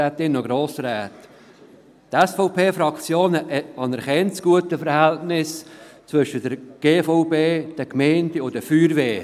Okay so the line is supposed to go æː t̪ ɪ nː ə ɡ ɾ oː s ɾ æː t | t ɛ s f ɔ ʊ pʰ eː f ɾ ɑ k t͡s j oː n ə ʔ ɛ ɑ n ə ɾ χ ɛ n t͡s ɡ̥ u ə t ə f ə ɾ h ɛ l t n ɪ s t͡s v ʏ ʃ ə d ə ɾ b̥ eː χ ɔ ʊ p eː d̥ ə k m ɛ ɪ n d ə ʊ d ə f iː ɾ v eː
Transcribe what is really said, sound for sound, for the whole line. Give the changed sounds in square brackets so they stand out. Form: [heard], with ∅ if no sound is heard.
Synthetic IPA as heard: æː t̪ ɪ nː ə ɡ ɾ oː s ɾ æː t | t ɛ s f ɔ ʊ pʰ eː f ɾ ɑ k t͡s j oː n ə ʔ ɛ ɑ n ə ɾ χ ɛ n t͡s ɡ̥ u ə t ə f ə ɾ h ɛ l t n ɪ s t͡s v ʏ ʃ ə d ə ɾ [ɡ̥] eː [f] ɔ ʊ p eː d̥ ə k m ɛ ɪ n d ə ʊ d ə f [yː] ɾ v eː